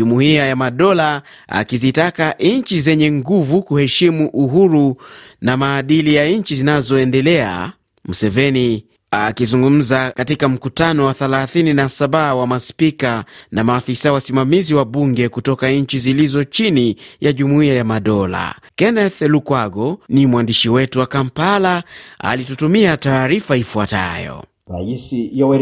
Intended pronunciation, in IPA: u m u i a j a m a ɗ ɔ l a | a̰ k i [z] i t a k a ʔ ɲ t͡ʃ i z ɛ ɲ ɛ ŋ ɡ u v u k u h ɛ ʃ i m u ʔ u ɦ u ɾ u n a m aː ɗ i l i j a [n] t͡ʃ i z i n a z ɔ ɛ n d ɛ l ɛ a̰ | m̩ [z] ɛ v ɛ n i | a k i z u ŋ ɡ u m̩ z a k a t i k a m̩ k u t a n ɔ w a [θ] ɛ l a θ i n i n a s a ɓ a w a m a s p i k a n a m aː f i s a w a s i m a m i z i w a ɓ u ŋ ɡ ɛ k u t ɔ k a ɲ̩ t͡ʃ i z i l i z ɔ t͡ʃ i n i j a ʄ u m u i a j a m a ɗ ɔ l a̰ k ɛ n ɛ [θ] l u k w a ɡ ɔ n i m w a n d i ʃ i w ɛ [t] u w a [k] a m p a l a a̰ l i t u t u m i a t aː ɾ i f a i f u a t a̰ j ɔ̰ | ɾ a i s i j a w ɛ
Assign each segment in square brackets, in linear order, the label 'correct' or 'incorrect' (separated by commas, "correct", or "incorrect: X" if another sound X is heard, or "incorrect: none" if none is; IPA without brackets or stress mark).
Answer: correct, incorrect: ɲ, incorrect: s, correct, correct, correct, correct